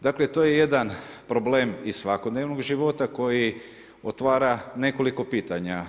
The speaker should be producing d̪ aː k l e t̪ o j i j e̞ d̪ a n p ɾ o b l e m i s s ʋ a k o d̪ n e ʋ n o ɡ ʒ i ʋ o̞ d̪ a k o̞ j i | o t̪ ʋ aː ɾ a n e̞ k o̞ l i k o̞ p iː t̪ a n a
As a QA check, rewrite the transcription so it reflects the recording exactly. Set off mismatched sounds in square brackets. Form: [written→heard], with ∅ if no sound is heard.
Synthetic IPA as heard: d̪ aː k l e t̪ o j [i→e] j e̞ d̪ a n p ɾ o b l e m i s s ʋ a k o d̪ n e ʋ n o ɡ ʒ i ʋ o̞ [d̪→t̪] a k o̞ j i | o t̪ ʋ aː ɾ a n e̞ k o̞ l i k o̞ p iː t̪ a [n→ɲ] a